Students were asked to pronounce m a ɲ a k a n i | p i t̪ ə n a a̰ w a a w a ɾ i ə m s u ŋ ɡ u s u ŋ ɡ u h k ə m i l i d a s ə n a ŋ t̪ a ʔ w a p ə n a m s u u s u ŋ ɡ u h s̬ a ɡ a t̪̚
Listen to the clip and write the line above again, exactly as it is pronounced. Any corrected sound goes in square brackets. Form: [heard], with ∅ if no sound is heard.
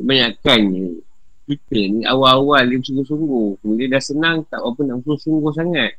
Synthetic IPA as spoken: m a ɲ a k a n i | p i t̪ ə n [i] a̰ w a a w a [l] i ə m s u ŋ ɡ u s u ŋ ɡ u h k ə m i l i d a s ə n a ŋ t̪ a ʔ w a p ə n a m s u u s u ŋ ɡ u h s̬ a [ŋ] a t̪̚